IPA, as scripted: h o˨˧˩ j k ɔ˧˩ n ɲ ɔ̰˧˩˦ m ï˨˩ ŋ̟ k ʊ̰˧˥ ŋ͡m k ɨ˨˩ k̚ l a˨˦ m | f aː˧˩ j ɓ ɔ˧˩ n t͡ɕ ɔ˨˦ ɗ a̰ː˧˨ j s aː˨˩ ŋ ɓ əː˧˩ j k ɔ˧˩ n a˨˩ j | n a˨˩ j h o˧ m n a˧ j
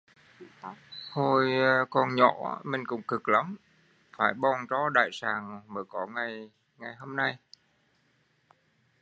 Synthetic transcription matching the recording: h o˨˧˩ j k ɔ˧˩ n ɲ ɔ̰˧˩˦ m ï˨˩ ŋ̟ k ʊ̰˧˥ ŋ͡m k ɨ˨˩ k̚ l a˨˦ m | f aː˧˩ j ɓ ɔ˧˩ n t͡ɕ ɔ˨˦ ɗ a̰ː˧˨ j s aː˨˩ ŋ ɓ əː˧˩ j k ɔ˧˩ ŋ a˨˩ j | ŋ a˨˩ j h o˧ m n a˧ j